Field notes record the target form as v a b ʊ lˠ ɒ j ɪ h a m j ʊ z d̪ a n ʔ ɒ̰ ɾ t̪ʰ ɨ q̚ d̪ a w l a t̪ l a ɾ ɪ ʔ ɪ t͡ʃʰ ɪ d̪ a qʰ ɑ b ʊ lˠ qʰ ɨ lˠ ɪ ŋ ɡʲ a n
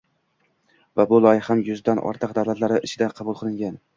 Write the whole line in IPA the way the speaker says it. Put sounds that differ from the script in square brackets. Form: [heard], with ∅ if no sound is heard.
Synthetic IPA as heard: v a b ʊ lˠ ɒ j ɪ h a m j ʊ z d̪ a n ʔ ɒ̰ ɾ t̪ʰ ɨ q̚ d̪ a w l a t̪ l a ɾ ɪ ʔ ɪ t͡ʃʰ ɪ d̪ a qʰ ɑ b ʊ lˠ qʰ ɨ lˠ ɪ ŋ ɡʲ a n